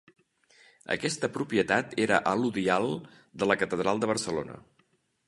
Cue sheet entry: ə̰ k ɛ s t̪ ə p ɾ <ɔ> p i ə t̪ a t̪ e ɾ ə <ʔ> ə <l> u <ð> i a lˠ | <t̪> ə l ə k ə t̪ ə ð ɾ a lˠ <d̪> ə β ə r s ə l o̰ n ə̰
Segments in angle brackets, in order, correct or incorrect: incorrect, correct, correct, correct, incorrect, correct

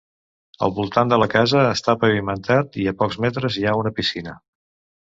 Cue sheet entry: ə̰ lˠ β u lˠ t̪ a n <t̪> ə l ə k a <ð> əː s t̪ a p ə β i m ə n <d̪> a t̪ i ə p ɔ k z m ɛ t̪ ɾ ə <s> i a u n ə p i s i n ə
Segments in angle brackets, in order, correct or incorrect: incorrect, incorrect, incorrect, incorrect

